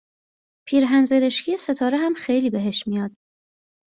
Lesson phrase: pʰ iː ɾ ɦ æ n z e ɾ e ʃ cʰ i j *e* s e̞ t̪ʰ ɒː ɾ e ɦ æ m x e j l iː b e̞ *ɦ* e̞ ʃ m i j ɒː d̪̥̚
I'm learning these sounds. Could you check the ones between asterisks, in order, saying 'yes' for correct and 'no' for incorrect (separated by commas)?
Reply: yes, yes